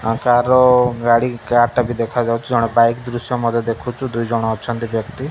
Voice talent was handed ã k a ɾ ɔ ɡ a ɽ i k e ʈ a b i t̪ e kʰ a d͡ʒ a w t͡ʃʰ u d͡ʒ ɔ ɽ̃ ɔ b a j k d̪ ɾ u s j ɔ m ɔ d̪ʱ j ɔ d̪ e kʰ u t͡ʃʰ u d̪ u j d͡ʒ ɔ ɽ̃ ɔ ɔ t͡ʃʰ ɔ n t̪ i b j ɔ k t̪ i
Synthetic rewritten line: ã k a ɾ ɔ ɡ a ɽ i k a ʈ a b i d̪ e kʰ a d͡ʒ a w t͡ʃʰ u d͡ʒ ɔ ɽ̃ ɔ b a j k d̪ ɾ u s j ɔ m ɔ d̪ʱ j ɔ d̪ e kʰ u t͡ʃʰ u d̪ u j d͡ʒ ɔ ɽ̃ ɔ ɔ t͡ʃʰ ɔ n t̪ i b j ɔ k t̪ i